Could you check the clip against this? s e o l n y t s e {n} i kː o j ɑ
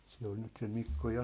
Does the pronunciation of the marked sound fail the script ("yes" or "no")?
yes